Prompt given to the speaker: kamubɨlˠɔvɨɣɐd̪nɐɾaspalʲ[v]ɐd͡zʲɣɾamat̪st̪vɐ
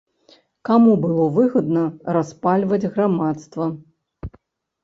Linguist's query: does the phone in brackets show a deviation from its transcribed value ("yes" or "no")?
no